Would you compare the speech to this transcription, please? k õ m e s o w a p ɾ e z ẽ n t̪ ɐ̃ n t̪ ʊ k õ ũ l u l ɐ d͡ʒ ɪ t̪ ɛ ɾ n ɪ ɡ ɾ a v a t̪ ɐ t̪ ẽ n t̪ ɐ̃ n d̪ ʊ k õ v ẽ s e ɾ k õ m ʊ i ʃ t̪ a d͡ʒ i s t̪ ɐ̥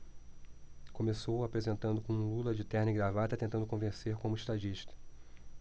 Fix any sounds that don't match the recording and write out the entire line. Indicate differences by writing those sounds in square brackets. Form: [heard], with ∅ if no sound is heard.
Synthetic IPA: k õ m e s o w a p ɾ e z ẽ n t̪ ɐ̃ n [d̪] ʊ k õ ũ l u l ɐ d͡ʒ ɪ t̪ ɛ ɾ n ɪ ɡ ɾ a v a t̪ ɐ t̪ ẽ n t̪ ɐ̃ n d̪ ʊ k õ v ẽ s e ɾ k õ m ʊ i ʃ t̪ a d͡ʒ i [ʃ] t̪ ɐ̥

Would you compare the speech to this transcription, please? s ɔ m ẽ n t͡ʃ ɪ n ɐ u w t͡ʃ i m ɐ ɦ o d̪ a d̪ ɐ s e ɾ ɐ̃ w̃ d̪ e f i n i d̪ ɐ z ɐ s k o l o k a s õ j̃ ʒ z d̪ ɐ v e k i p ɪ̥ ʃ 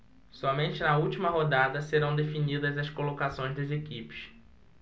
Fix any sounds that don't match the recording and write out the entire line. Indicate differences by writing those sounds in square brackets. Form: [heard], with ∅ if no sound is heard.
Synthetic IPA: s ɔ m ẽ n t͡ʃ ɪ n ɐ u w t͡ʃ i m ɐ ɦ o d̪ a d̪ ɐ s e ɾ ɐ̃ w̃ d̪ e f i n i d̪ ɐ z ɐ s k o l o k a s õ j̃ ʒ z d̪ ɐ [z] e k i p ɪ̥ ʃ

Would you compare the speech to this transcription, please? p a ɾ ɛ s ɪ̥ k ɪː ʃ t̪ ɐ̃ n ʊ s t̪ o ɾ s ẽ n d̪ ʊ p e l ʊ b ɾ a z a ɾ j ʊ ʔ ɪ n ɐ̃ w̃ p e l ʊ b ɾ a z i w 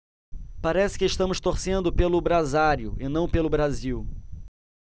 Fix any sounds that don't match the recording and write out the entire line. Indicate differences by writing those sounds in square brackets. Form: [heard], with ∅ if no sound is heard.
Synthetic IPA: p a ɾ ɛ s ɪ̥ k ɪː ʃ t̪ ɐ̃ [m] ʊ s t̪ o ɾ s ẽ n d̪ ʊ p e l ʊ b ɾ a z a ɾ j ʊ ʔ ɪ n ɐ̃ w̃ p e l ʊ b ɾ a z i w

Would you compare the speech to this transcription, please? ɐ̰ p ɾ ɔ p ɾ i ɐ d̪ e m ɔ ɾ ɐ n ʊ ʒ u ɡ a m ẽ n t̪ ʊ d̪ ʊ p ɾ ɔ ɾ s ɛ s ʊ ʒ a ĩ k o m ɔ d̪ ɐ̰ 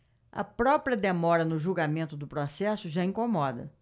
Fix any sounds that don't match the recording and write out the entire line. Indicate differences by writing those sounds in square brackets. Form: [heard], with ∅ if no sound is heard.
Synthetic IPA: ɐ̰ p ɾ ɔ p ɾ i ɐ d̪ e m ɔ ɾ ɐ n ʊ ʒ u ɡ a m ẽ n t̪ ʊ d̪ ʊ p ɾ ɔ [∅] s ɛ s ʊ ʒ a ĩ k o m ɔ d̪ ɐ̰

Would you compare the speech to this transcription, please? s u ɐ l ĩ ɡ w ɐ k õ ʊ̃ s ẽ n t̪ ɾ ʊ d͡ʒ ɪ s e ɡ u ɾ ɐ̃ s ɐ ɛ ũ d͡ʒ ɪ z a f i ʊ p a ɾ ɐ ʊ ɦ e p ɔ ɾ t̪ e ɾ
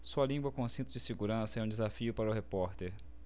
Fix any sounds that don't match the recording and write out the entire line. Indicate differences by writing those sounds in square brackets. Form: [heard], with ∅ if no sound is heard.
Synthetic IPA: s u ɐ l ĩ ɡ w ɐ k õ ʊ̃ s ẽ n t̪ ɾ ʊ d͡ʒ ɪ s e ɡ u ɾ ɐ̃ s ɐ ɛ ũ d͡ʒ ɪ z a f i ʊ p a ɾ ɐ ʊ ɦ e p ɔ ɾ t̪ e ɾ

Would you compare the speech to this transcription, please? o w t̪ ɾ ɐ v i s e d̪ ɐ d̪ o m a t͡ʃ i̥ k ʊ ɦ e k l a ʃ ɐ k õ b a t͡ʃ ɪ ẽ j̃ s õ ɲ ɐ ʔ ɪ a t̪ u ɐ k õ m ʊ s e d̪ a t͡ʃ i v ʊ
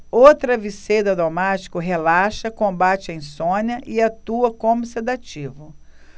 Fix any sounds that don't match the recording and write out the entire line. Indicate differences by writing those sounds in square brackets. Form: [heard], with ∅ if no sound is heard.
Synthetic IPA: o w t̪ ɾ ɐ v i s e d̪ ɐ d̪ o m a t͡ʃ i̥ k ʊ ɦ e [∅] l a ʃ ɐ k õ b a t͡ʃ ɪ ẽ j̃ s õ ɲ ɐ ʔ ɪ a t̪ u ɐ k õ m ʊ s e d̪ a t͡ʃ i v ʊ

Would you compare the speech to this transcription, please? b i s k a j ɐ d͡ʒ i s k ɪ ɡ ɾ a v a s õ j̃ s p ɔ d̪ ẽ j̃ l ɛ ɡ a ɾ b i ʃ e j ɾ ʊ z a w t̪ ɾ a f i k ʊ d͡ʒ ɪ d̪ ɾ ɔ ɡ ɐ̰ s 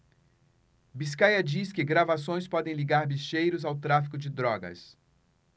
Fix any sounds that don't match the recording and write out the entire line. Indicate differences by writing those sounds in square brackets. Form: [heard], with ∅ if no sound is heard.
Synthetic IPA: b i s k a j ɐ d͡ʒ i s k ɪ ɡ ɾ a v a s õ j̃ s p ɔ d̪ ẽ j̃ l [i] ɡ a ɾ b i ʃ e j ɾ ʊ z a w t̪ ɾ a f i k ʊ d͡ʒ ɪ d̪ ɾ ɔ ɡ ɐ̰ s

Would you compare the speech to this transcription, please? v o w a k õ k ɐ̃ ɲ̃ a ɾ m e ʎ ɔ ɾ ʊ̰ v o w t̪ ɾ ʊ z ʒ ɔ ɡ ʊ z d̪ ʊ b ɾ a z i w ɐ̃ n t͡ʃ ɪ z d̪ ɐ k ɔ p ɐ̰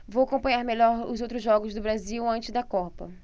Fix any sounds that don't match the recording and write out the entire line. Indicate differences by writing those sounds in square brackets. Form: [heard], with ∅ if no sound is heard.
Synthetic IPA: v o w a k õ [p] ɐ̃ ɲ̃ a ɾ m e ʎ ɔ ɾ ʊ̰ [z] o w t̪ ɾ ʊ z ʒ ɔ ɡ ʊ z d̪ ʊ b ɾ a z i w ɐ̃ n t͡ʃ ɪ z d̪ ɐ k ɔ p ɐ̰

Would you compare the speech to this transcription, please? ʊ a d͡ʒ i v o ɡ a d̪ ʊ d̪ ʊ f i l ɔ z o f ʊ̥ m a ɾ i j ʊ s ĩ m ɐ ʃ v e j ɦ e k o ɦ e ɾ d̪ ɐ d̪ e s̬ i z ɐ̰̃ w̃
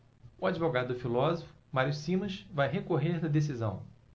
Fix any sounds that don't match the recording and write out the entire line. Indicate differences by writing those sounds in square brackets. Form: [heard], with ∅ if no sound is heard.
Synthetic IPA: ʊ a d͡ʒ i v o ɡ a d̪ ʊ d̪ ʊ f i l ɔ z o f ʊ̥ m a ɾ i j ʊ s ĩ m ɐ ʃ v [a] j ɦ e k o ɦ e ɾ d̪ ɐ d̪ e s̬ i z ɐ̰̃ w̃

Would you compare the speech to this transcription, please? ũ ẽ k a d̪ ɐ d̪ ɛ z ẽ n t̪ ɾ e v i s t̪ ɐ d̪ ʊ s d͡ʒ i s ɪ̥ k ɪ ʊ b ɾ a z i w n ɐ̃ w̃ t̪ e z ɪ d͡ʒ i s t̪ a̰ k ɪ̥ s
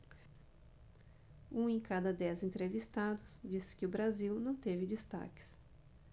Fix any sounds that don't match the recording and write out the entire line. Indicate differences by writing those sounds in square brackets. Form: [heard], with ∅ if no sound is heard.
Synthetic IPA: ũ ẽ k a d̪ ɐ d̪ ɛ z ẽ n t̪ ɾ e v i s t̪ [a] d̪ ʊ s d͡ʒ i s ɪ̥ k ɪ ʊ b ɾ a z i w n ɐ̃ w̃ t̪ e [v] ɪ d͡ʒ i s t̪ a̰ k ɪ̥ s

